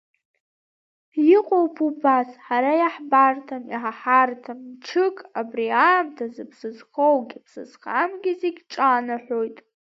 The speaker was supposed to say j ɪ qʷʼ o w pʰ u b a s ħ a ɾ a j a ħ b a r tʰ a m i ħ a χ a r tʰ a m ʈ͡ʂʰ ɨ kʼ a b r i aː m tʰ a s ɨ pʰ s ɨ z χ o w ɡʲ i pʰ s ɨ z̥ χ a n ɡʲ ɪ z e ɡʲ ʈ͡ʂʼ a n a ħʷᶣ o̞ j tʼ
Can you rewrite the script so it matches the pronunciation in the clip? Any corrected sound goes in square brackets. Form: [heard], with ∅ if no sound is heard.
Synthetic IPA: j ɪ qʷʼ o w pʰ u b a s ħ a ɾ a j a ħ b a r tʰ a m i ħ a [ħ] a r tʰ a m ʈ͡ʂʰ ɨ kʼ a b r i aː m tʰ a [z] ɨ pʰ s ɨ z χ o w ɡʲ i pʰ s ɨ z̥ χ a [m] ɡʲ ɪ z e ɡʲ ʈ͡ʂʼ a n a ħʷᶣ o̞ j tʼ

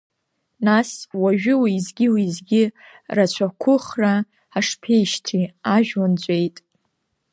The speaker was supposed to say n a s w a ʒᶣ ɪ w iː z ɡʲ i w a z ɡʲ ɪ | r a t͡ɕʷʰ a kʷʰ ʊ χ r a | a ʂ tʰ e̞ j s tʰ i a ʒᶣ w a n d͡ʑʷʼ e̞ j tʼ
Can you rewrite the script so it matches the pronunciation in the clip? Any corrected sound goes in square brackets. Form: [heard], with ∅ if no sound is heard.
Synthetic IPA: n a s w a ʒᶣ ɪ w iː z ɡʲ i w [i] z ɡʲ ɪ | r a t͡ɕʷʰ a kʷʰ ʊ χ r a | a ʂ [pʰ] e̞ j [ʃ] tʰ i a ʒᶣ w a n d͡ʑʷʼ e̞ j tʼ

